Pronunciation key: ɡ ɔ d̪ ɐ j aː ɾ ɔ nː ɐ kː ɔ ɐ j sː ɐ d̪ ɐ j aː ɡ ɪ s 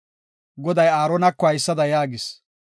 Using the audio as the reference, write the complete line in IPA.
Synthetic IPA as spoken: ɡ ɔ d̪ ɐ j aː ɾ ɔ n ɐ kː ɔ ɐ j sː ɐ d̪ ɐ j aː ɡ ɪ s

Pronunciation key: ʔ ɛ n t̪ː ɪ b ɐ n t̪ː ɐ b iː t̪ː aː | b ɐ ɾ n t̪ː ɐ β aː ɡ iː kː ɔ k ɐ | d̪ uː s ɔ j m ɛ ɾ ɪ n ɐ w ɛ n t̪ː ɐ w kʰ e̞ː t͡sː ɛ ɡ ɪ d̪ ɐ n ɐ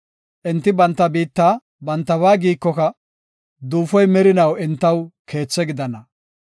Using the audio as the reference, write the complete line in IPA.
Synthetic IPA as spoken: ʔ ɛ n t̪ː ɪ b ɐ n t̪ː ɐ b iː t̪ː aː | b ɐ n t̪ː ɐ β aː ɡ iː kː ɔ k ɐ | d̪ uː f ɔ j m ɛ ɾ ɪ n ɐ w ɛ n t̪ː ɐ w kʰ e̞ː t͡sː ɛ ɡ ɪ d̪ ɐ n ɐ

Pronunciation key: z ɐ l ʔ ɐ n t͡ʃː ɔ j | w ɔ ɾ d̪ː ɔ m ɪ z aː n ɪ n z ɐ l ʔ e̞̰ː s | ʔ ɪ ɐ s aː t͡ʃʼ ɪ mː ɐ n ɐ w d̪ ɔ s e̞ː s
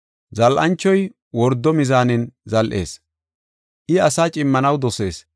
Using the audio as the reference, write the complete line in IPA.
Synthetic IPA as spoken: z ɐ l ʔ ɐ n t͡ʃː ɔ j | w ɔ ɾ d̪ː ɔ m ɪ z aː n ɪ n z ɐ l ʔ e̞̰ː s | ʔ ɪ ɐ s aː t͡ʃʼ ɪ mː ɐ n ɐ w d̪ ɔ s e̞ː s

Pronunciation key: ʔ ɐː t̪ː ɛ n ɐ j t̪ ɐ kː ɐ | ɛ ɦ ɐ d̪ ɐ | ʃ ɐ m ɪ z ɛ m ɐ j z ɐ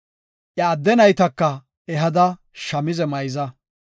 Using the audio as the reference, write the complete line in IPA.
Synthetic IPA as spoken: ʔ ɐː d̪ː ɛ n ɐ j t̪ ɐ kː ɐ | ɛ ɦ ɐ d̪ ɐ | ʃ ɐ m ɪ z ɛ m ɐ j z ɐ

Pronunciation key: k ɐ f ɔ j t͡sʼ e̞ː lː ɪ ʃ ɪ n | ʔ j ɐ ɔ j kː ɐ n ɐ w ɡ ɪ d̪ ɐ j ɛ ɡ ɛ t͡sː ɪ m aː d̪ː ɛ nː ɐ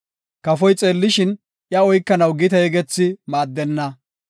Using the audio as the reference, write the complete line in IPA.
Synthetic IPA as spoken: k ɐ f ɔ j t͡sʼ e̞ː lː ɪ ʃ ɪ n | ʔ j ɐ ɔ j kː ɐ n ɐ w ɡ ɪ t̪ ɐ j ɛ ɡ ɛ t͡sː ɪ m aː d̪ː ɛ nː ɐ

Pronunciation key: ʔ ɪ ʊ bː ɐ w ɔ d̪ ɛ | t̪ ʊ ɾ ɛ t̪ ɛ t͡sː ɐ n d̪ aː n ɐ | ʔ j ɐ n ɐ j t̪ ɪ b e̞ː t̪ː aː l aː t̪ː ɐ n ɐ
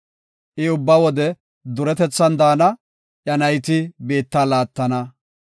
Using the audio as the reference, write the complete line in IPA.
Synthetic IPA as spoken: ʔ ɪ ʊ bː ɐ w ɔ d̪ ɛ | d̪ ʊ ɾ ɛ t̪ ɛ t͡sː ɐ n d̪ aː n ɐ | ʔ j ɐ n ɐ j t̪ ɪ b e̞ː t̪ː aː l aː t̪ː ɐ n ɐ

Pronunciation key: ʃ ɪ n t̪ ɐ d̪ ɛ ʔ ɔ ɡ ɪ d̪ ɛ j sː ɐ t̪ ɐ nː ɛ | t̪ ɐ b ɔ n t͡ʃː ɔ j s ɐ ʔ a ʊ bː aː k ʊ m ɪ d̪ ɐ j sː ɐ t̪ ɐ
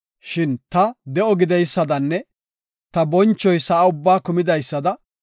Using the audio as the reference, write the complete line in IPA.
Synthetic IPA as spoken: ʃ ɪ n t̪ ɐ d̪ ɛ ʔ ɔ ɡ ɪ d̪ ɛ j sː ɐ d̪ ɐ nː ɛ | t̪ ɐ b ɔ n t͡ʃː ɔ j s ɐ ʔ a ʊ bː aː k ʊ m ɪ d̪ ɐ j sː ɐ d̪ ɐ

